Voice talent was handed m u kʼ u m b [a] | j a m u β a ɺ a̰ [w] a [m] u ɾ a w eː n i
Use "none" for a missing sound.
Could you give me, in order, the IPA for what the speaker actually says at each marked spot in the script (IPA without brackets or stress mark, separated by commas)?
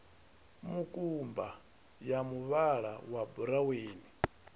a, w, b